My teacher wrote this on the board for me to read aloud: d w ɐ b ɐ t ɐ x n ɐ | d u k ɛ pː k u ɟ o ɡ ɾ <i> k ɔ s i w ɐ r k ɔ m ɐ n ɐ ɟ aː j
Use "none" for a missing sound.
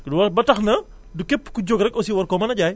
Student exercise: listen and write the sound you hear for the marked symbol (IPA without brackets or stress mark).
ɛ